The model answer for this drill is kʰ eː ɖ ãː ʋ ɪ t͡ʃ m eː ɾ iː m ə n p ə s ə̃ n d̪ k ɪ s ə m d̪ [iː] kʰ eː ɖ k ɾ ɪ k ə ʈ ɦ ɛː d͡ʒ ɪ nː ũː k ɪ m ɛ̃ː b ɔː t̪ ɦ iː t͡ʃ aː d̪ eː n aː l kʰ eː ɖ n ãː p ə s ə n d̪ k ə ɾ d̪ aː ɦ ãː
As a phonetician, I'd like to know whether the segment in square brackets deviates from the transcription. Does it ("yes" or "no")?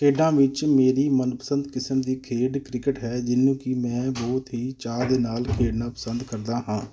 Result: no